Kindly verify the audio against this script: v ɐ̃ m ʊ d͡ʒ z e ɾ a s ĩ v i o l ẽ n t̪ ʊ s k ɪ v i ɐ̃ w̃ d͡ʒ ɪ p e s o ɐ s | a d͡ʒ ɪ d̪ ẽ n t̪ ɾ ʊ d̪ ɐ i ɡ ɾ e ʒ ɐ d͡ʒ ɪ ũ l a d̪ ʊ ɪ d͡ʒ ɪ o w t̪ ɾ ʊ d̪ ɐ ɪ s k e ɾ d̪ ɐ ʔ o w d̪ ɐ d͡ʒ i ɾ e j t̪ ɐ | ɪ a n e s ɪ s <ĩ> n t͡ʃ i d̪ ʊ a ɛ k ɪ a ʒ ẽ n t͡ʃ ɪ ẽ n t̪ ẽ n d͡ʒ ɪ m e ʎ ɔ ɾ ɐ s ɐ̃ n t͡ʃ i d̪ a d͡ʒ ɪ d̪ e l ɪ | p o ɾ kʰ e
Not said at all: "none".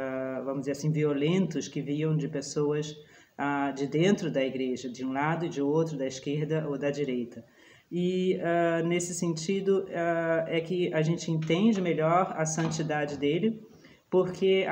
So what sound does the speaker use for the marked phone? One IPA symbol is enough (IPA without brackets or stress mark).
ẽ